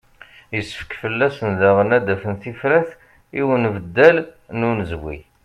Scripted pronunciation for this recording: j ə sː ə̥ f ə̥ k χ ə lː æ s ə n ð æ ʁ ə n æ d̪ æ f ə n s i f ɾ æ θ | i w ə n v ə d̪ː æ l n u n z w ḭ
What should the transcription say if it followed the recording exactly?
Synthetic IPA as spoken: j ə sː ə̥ f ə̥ k f ə lː æ s ə n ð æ ʁ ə n æ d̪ æ f ə n θ i f ɾ æ θ | i w ə n v ə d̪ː æ l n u n z w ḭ